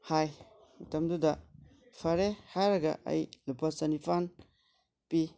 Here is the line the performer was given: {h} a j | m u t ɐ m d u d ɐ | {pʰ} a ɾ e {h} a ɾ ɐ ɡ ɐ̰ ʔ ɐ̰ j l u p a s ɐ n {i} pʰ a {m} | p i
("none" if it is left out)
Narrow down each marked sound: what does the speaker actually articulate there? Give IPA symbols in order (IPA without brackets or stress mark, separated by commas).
h, pʰ, h, i, n